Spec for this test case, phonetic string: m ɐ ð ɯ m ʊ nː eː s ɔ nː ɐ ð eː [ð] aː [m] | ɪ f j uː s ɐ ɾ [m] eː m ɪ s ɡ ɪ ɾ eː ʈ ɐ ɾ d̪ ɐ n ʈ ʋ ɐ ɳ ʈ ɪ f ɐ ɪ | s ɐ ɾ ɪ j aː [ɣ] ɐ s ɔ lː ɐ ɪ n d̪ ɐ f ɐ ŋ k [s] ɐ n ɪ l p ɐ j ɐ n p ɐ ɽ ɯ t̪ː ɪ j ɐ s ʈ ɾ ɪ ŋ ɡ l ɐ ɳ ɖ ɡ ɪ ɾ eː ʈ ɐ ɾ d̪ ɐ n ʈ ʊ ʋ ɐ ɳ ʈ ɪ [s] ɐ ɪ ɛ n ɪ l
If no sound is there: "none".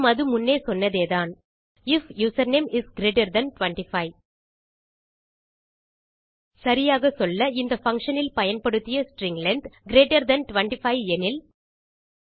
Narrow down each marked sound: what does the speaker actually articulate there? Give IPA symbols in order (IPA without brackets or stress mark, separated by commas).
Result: ð, n, n, ɣ, ʂ, f